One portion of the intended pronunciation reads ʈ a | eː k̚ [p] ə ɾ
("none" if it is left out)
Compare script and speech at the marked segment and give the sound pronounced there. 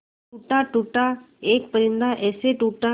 p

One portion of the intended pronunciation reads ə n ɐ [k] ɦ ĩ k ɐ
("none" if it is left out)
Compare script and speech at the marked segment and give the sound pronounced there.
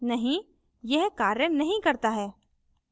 none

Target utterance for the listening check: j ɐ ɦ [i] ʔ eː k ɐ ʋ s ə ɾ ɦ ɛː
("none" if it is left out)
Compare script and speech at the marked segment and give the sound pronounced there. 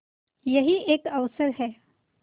i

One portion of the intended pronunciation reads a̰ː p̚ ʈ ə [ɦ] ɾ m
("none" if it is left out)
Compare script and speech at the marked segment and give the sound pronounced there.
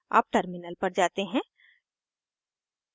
none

